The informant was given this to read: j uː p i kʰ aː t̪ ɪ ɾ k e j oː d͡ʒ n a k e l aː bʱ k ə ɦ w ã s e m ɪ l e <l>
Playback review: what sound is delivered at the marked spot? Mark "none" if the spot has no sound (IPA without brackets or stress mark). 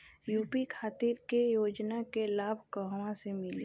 none